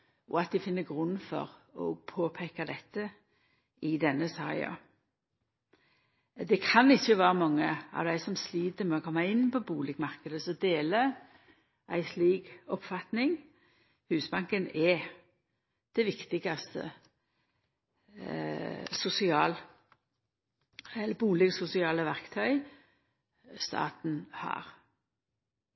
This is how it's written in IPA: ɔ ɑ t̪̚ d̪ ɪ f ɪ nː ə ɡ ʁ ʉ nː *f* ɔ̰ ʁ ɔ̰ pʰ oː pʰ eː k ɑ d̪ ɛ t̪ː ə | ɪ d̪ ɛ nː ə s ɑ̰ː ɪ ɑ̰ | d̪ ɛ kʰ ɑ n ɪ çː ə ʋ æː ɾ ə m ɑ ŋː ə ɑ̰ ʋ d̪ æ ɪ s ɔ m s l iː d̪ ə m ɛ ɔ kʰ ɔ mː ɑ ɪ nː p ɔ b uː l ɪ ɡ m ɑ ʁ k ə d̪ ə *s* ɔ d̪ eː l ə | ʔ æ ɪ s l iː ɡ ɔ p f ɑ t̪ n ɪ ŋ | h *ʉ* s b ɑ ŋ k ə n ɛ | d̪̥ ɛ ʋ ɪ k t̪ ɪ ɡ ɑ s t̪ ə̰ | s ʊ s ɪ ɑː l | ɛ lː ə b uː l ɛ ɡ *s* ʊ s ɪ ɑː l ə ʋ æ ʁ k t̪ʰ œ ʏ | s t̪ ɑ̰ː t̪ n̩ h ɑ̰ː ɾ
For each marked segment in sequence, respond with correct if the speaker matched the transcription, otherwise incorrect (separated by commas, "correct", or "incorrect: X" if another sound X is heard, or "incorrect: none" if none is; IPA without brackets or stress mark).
correct, correct, incorrect: ʉː, correct